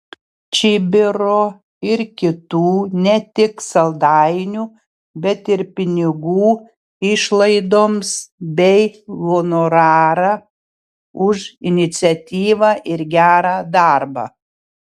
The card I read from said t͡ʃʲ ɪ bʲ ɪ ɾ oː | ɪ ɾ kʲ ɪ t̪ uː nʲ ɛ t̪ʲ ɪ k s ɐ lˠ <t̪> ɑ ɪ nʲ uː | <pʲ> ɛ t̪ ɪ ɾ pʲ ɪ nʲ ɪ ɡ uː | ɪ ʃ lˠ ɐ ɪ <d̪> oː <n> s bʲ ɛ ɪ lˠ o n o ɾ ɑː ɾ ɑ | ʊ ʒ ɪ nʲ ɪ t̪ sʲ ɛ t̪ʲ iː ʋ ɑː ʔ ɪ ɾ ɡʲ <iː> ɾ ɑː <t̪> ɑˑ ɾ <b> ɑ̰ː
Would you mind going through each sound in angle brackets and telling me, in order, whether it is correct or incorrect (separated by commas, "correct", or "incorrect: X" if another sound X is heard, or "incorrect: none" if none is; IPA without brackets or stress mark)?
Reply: incorrect: d̪, incorrect: bʲ, correct, incorrect: m, incorrect: æː, incorrect: d̪, correct